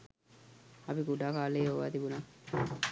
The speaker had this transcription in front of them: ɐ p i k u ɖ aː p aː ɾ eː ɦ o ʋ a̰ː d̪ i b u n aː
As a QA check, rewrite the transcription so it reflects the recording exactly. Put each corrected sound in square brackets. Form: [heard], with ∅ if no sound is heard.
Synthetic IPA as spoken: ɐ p i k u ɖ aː [k] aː [l] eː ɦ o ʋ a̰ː [t̪] i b u n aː